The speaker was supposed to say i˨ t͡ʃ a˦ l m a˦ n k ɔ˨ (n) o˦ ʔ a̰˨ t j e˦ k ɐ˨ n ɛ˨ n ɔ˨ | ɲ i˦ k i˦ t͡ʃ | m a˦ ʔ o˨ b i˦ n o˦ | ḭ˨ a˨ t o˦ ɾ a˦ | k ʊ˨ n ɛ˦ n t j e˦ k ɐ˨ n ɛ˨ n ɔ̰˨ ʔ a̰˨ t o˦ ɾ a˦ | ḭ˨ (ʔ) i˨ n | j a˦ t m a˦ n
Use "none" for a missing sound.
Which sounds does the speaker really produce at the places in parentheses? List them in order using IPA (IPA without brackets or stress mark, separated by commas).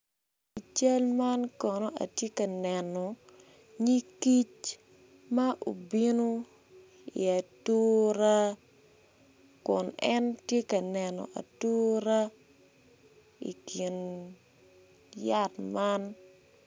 n, k